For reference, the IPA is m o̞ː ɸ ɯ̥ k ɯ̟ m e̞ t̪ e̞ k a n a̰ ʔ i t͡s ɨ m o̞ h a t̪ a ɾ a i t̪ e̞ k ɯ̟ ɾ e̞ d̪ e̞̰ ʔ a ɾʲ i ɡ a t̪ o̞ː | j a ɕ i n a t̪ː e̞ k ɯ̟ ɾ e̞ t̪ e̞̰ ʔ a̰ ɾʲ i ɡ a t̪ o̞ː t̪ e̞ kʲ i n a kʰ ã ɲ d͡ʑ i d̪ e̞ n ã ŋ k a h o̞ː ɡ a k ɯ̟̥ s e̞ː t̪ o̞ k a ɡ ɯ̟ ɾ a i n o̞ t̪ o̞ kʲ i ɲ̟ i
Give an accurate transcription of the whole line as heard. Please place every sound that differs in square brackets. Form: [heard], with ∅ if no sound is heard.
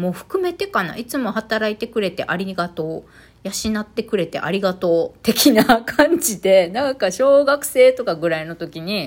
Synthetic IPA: m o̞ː ɸ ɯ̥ k ɯ̟ m e̞ t̪ e̞ k a n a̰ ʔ i t͡s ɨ m o̞ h a t̪ a ɾ a i t̪ e̞ k ɯ̟ ɾ e̞ [t̪] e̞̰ ʔ a ɾʲ i ɡ a t̪ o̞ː | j a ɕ i n a t̪ː e̞ k ɯ̟ ɾ e̞ t̪ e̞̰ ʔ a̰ ɾʲ i ɡ a t̪ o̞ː t̪ e̞ kʲ i n a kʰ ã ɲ d͡ʑ i d̪ e̞ n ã ŋ k a [ɕ] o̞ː ɡ a k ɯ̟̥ s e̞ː t̪ o̞ k a ɡ ɯ̟ ɾ a i n o̞ t̪ o̞ kʲ i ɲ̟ i